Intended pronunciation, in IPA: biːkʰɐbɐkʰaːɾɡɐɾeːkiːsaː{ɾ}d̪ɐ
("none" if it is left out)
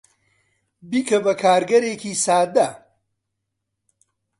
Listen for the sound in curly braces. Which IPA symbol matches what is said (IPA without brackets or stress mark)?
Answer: none